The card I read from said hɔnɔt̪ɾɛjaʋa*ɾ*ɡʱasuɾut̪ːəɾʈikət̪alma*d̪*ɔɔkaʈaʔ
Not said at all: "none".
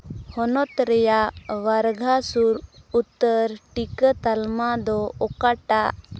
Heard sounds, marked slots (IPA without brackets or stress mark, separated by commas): ɾ, d̪